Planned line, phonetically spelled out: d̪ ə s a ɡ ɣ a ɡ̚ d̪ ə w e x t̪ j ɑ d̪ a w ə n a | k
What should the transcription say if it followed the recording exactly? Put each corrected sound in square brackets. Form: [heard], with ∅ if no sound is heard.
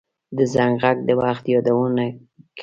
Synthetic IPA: d̪ ə [z] a [ŋ] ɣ a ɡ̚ d̪ ə w [a] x t̪ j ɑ d̪ a w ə n a | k